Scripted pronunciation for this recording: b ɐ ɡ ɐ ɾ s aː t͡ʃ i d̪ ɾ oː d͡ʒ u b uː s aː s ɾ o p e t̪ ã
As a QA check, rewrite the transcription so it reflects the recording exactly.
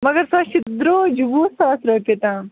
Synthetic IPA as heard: m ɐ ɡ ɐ ɾ s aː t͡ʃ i d̪ ɾ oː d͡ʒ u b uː s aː s ɾ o p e t̪ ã